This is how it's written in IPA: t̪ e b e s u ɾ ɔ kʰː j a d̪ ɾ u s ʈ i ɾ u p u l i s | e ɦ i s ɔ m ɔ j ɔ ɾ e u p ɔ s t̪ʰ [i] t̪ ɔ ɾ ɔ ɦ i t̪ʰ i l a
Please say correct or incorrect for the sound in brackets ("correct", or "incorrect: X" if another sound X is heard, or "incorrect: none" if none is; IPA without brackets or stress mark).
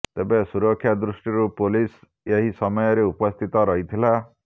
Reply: correct